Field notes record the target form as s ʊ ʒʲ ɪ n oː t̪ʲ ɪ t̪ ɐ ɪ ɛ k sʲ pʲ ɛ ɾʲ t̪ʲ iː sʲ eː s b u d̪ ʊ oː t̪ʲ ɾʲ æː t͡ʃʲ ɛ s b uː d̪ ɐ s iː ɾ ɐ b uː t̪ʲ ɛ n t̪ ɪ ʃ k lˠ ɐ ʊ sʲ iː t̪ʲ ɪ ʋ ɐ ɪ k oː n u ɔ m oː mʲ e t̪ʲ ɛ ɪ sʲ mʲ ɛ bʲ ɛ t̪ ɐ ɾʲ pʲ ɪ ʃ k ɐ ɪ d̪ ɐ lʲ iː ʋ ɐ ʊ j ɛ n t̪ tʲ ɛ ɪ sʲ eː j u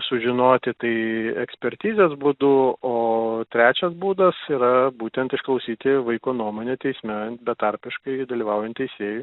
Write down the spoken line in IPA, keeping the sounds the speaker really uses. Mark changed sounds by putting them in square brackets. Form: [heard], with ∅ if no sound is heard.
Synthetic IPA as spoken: s ʊ ʒʲ ɪ n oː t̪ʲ ɪ t̪ ɐ ɪ ɛ k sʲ pʲ ɛ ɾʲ t̪ʲ iː [zʲ] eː s b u d̪ ʊ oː t̪ʲ ɾʲ æː t͡ʃʲ ɛ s b uː d̪ ɐ s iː ɾ ɐ b uː t̪ʲ ɛ n t̪ ɪ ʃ k lˠ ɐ ʊ sʲ iː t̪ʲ ɪ ʋ ɐ ɪ k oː n u ɔ m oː [nʲ] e t̪ʲ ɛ ɪ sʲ mʲ ɛ bʲ ɛ t̪ ɐ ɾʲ pʲ ɪ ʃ k ɐ ɪ d̪ ɐ lʲ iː ʋ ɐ ʊ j ɛ n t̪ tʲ ɛ ɪ sʲ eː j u